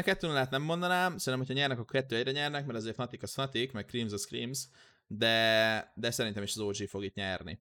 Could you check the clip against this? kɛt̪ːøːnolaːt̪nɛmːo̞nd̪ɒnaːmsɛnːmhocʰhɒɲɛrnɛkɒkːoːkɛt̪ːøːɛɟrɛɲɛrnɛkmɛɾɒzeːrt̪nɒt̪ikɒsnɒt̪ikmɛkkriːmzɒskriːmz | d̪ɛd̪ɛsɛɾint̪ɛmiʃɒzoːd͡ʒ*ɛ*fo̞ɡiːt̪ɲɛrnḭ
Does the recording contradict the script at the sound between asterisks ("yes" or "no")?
yes